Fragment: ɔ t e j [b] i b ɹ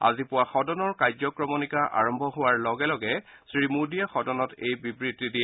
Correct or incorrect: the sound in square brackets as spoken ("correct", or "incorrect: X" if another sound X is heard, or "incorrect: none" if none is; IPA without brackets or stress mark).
correct